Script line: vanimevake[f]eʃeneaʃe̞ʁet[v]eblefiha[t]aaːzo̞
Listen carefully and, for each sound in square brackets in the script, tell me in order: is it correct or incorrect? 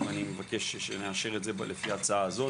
incorrect: ʃ, incorrect: z, incorrect: t͡s

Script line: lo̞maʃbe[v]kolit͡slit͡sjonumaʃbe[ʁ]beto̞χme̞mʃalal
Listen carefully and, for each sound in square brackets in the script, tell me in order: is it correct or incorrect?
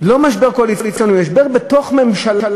incorrect: ʁ, correct

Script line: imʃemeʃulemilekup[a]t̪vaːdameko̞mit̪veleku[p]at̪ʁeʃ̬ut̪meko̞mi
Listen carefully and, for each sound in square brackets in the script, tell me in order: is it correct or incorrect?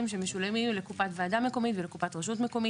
correct, correct

